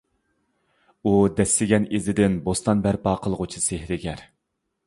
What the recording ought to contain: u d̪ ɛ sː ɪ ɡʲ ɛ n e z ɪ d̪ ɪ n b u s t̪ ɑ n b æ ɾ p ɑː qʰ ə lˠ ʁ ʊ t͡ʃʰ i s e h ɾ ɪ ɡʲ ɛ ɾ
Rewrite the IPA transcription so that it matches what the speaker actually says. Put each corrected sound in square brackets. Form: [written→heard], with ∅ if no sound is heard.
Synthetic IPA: u d̪ ɛ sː ɪ ɡʲ ɛ n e z ɪ d̪ ɪ n b [u→o] s t̪ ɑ n b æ ɾ p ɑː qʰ ə lˠ ʁ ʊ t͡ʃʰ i s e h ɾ ɪ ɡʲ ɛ ɾ